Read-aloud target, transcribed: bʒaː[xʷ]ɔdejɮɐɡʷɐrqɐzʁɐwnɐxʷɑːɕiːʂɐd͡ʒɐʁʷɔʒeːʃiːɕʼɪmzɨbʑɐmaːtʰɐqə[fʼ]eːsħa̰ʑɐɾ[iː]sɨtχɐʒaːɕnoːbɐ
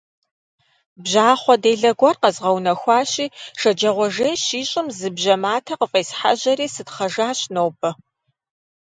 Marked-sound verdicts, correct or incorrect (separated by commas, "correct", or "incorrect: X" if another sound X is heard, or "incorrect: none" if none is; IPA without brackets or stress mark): incorrect: χʷ, correct, correct